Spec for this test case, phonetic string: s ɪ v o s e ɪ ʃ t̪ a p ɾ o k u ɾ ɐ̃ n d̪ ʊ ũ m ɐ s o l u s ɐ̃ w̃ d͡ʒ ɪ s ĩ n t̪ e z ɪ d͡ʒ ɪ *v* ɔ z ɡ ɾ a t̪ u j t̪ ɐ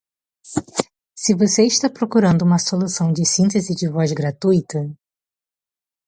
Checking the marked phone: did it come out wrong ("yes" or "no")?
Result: no